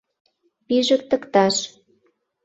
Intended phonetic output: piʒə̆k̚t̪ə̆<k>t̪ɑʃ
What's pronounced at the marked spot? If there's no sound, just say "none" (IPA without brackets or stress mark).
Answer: k